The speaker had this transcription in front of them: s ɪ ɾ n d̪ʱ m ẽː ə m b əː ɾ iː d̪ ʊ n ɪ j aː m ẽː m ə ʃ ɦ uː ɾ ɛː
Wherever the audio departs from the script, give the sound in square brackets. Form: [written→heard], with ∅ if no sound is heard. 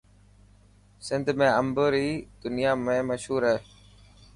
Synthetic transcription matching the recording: s ɪ [ɾ→∅] n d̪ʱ m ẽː ə m b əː ɾ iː d̪ ʊ n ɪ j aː m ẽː m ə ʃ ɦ uː ɾ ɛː